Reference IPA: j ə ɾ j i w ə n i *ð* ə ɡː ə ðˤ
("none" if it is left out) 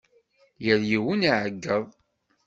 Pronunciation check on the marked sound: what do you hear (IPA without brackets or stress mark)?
ʕ